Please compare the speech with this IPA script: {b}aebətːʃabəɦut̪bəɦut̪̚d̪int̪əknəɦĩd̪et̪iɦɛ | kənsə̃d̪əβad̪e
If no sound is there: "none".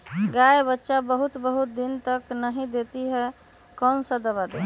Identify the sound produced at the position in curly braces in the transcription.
ɡ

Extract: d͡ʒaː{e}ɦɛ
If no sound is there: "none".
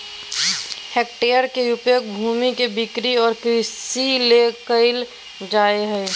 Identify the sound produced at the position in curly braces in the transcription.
e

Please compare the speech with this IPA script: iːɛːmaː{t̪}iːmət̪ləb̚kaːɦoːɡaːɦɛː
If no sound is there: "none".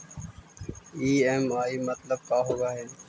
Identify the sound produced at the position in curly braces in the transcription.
none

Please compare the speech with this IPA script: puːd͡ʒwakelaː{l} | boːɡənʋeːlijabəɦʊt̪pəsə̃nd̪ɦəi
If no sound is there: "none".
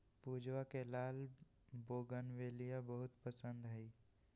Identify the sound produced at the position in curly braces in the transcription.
l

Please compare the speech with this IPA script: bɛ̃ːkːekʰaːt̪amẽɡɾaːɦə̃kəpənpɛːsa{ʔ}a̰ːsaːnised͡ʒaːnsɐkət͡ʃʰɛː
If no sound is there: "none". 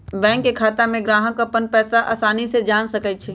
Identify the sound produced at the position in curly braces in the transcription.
ʔ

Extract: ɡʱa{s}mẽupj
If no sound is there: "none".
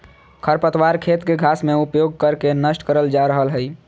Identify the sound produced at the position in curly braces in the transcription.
s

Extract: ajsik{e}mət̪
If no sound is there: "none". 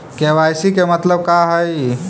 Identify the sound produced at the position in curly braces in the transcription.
e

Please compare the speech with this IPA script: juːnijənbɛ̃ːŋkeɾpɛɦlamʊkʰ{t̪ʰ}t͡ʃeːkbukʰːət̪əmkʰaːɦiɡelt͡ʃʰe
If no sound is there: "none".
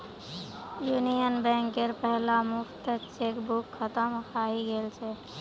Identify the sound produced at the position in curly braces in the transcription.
t̪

